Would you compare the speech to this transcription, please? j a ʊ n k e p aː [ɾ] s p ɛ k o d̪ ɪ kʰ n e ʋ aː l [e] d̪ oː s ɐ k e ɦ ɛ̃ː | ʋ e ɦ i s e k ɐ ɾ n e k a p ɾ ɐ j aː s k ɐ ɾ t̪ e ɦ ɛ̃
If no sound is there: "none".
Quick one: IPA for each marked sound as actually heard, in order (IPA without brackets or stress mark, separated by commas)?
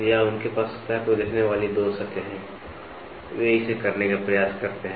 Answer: none, i